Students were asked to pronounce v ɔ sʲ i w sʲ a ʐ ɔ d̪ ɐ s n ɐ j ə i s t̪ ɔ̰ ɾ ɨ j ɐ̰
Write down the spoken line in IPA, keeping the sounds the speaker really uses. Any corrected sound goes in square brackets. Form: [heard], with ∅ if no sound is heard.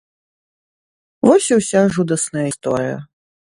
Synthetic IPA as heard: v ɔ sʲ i w sʲ a ʐ [u] d̪ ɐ s n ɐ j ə i s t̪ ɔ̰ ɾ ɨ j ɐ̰

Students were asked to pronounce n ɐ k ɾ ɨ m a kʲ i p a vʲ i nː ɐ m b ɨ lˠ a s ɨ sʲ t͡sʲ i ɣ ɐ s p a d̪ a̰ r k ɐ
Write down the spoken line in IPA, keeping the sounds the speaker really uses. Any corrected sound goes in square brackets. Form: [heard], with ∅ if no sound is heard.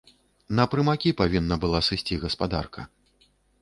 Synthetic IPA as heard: n ɐ [p] ɾ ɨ m a kʲ i p a vʲ i nː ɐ [∅] b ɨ lˠ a s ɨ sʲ t͡sʲ i ɣ ɐ s p a d̪ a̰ r k ɐ

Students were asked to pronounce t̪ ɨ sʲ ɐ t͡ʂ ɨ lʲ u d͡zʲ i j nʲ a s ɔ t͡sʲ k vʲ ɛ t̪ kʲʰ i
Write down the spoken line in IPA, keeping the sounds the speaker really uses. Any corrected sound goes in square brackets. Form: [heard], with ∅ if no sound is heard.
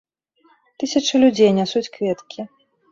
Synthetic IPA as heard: t̪ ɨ sʲ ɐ t͡ʂ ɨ lʲ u d͡zʲ [e] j nʲ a s [u] t͡sʲ k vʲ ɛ t̪ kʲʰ i

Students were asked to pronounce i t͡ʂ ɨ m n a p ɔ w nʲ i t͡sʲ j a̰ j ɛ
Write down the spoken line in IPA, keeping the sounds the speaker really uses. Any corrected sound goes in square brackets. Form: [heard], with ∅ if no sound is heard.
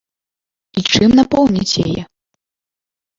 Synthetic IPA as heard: i t͡ʂ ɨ m n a p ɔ w nʲ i t͡sʲ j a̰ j ɛ

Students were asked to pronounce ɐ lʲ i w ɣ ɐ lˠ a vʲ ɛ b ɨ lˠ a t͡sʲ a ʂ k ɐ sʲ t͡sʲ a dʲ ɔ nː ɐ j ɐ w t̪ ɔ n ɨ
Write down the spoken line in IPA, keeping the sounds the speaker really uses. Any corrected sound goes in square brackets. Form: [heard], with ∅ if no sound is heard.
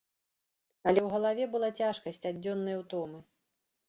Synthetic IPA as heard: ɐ lʲ [ɛ] w ɣ ɐ lˠ a vʲ ɛ b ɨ lˠ a t͡sʲ a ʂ k ɐ sʲ t͡sʲ a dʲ ɔ nː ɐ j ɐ w t̪ ɔ [m] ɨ

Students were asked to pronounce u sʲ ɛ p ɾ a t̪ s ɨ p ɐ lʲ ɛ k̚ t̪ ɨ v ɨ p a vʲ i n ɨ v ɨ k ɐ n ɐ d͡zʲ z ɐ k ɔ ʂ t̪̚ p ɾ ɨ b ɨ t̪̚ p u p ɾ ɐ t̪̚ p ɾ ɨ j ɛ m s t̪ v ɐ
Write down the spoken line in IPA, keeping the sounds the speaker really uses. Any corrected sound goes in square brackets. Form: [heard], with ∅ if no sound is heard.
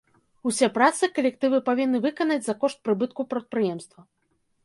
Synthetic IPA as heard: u sʲ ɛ p ɾ a t̪ s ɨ [k] ɐ lʲ ɛ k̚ t̪ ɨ v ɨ p a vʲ i [nː] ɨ v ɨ k ɐ n ɐ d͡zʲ z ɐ k ɔ ʂ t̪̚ p ɾ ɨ b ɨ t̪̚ [k] u p ɾ ɐ t̪̚ p ɾ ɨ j ɛ m s t̪ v ɐ

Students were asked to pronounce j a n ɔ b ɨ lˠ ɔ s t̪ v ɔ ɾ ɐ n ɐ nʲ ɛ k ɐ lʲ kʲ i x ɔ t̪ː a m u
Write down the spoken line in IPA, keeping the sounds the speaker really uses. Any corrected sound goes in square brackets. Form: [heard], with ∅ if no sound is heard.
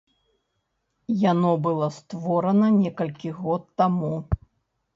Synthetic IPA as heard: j a n ɔ b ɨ lˠ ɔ s t̪ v ɔ ɾ ɐ n ɐ nʲ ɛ k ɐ lʲ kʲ i [ɣ] ɔ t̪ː a m u

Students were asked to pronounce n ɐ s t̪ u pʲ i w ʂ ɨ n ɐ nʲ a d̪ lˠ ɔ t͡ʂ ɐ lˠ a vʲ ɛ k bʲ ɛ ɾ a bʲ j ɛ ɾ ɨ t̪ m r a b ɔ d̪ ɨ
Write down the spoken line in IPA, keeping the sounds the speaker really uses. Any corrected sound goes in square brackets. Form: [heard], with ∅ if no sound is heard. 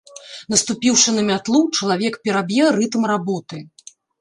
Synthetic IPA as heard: n ɐ s t̪ u pʲ i w ʂ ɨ n ɐ [mʲ] a [t̪] lˠ [u] t͡ʂ ɐ lˠ a vʲ ɛ k [pʲ] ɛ ɾ a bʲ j ɛ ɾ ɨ t̪ m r a b ɔ [t̪] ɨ

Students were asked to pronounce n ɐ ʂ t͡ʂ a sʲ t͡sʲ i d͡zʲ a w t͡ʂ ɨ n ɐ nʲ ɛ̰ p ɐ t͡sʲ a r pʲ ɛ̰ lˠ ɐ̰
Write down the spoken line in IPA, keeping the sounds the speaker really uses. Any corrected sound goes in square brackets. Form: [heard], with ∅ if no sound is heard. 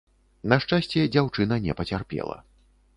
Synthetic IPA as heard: n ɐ ʂ t͡ʂ a sʲ t͡sʲ [ɛ] d͡zʲ a w t͡ʂ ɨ n ɐ nʲ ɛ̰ p ɐ t͡sʲ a r pʲ ɛ̰ lˠ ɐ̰

